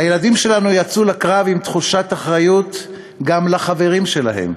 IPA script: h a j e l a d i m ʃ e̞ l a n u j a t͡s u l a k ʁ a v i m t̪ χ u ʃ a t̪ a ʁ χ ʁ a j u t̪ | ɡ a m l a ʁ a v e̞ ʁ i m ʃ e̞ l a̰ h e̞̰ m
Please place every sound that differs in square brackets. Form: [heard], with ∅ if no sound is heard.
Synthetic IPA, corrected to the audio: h a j e l a d i m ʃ e̞ l a n u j a t͡s u l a k ʁ a v i m t̪ χ u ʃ a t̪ a [∅] χ ʁ a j u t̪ | ɡ a m l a [χ] a v e̞ ʁ i m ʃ e̞ l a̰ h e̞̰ m